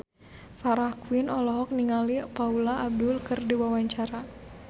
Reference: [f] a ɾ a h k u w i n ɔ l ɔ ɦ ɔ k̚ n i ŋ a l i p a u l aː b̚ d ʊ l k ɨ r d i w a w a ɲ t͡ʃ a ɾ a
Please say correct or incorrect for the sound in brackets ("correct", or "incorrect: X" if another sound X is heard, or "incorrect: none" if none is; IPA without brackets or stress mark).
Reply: correct